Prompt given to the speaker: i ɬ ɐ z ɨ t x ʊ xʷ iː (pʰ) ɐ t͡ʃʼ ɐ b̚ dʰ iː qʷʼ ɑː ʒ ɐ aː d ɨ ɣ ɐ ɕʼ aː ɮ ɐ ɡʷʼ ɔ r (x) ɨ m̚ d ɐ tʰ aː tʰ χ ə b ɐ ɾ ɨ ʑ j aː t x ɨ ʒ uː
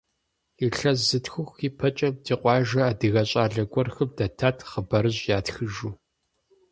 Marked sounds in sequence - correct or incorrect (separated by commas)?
correct, correct